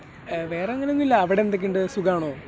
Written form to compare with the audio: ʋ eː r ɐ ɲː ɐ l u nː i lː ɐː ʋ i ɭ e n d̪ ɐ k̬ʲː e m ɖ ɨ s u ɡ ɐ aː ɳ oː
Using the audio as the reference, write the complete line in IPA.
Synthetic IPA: ʋ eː r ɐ ŋː ɐ l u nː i lː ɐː ʋ i ɽ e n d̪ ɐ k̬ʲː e ɳ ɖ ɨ s u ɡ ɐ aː ɳ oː